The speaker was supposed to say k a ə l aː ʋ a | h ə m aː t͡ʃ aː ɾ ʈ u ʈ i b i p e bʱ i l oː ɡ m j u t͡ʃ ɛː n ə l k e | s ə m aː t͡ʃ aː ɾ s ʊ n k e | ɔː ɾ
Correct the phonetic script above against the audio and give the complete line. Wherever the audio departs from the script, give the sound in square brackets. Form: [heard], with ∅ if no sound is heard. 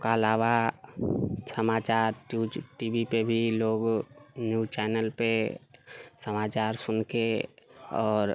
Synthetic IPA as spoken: k a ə l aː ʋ a | [s] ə m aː t͡ʃ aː ɾ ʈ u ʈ i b i p e bʱ i l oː ɡ [n] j u t͡ʃ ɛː n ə l [p] e | s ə m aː t͡ʃ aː ɾ s ʊ n k e | ɔː ɾ